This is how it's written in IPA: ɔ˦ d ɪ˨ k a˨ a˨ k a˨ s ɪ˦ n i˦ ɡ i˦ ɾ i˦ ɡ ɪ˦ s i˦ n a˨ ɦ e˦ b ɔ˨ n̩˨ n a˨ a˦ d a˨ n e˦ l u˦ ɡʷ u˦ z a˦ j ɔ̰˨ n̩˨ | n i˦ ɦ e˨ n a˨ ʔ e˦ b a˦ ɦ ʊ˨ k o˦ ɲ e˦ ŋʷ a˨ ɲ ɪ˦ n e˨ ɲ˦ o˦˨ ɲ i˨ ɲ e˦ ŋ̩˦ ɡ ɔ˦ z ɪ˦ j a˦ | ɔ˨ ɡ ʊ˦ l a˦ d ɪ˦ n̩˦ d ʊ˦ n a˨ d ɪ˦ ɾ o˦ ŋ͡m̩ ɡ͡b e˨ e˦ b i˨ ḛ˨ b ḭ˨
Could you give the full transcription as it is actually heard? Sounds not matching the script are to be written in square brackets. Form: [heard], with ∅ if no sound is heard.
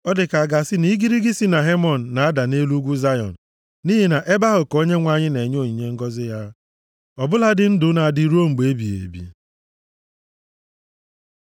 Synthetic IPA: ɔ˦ d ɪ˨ k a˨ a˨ [ɡ] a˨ s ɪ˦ n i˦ ɡ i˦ ɾ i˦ ɡ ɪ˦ s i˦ n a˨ ɦ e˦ [m] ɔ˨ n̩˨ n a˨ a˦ d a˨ n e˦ l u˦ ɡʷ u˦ z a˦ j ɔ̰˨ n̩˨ | n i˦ ɦ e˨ n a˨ ʔ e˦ b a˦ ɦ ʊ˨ k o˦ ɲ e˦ ŋʷ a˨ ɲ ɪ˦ n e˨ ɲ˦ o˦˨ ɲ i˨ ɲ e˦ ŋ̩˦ ɡ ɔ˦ z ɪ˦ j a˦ | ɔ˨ [b] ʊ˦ l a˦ d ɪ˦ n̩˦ d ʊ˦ n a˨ d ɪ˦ ɾ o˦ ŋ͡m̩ ɡ͡b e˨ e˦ b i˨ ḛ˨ b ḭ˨